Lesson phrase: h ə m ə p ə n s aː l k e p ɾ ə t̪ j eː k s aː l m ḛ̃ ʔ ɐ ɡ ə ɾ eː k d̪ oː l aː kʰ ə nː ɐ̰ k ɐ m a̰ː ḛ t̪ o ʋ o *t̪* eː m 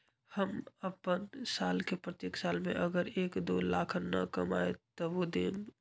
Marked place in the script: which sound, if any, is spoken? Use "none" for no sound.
d̪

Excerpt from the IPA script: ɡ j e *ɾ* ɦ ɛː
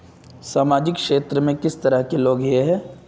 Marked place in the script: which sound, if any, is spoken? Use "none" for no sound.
none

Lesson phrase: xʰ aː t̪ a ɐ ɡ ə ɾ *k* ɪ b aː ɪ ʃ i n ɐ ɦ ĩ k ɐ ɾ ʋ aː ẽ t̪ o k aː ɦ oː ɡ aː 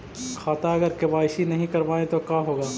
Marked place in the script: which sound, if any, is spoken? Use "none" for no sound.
k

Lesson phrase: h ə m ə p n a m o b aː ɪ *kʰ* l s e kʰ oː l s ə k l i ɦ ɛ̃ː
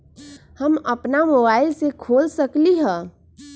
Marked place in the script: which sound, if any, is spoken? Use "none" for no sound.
none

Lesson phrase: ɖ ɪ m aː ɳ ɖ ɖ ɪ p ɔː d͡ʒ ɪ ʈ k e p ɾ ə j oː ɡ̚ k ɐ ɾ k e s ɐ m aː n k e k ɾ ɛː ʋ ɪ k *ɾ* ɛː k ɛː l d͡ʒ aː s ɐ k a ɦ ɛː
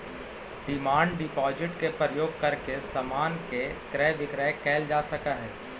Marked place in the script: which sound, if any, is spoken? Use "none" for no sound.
ɾ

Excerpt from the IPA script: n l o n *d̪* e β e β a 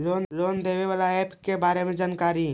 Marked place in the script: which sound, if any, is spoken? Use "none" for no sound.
d̪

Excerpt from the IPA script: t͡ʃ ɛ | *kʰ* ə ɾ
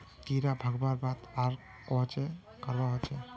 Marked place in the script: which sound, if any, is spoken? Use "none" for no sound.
k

